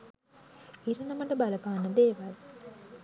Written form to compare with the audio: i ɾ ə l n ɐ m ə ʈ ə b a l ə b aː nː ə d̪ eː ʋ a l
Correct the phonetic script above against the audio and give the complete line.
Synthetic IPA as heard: i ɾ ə n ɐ m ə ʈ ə b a l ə p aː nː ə d̪ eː ʋ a l